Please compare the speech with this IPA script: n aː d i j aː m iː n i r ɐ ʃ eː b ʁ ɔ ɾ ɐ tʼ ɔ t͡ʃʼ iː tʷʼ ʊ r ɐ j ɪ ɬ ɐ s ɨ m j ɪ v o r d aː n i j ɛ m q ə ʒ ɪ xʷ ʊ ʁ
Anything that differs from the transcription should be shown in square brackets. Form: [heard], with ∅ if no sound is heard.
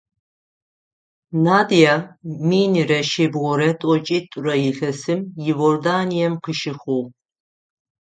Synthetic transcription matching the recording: n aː d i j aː m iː n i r ɐ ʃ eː b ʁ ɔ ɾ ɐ tʼ ɔ t͡ʃʼ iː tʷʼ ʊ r ɐ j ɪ ɬ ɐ s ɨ m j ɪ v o r d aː n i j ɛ m q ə [ʃ] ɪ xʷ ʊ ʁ